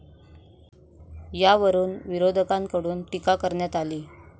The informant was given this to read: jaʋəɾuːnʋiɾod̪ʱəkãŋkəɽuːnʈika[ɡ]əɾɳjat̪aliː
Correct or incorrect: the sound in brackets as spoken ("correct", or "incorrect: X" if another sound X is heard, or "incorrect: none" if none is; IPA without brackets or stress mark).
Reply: incorrect: k